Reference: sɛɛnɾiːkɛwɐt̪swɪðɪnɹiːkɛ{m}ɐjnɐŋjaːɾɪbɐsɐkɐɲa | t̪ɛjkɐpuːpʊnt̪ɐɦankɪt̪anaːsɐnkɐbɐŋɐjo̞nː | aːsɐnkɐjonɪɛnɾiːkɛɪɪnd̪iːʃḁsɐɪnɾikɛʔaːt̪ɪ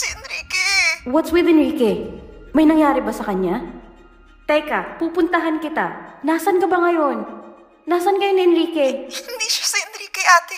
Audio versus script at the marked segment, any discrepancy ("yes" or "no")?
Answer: no